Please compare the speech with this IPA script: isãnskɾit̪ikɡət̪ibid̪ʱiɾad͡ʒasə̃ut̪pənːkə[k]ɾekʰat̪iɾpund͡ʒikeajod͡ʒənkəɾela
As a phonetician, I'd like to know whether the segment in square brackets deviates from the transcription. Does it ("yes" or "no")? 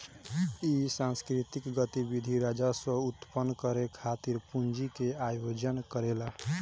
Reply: yes